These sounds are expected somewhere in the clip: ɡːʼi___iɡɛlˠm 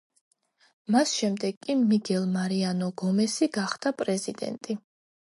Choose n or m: m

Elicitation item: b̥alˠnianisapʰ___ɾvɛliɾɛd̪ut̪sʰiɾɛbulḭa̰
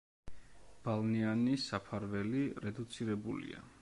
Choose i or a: a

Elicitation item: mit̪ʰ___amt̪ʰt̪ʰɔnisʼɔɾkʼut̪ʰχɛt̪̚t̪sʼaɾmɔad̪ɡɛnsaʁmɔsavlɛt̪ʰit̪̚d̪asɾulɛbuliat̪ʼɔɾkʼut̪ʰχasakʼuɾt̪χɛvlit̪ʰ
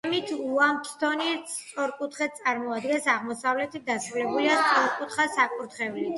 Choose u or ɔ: u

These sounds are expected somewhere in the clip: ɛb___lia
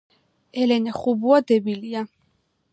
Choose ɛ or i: i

